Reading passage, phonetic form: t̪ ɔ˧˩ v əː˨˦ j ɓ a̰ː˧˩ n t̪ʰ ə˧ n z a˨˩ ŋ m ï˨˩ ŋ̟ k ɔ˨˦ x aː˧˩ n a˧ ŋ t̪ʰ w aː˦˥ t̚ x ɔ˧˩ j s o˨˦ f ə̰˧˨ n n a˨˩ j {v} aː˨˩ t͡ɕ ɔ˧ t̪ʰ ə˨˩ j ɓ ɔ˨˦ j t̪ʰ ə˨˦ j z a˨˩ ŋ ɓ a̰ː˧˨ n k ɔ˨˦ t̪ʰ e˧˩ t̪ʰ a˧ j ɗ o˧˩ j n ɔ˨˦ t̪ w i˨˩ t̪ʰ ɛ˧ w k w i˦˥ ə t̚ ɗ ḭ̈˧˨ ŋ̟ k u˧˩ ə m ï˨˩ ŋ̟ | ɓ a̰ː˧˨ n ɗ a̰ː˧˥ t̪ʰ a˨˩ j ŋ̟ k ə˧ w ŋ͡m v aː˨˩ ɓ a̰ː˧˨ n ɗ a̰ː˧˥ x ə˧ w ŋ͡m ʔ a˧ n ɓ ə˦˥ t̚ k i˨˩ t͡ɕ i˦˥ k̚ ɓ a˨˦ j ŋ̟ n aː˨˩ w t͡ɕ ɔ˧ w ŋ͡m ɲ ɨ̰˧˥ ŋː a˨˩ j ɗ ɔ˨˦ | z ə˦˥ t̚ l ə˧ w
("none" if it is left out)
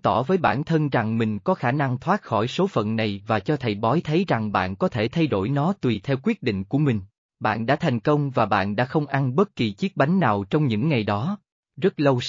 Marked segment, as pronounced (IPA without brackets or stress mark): v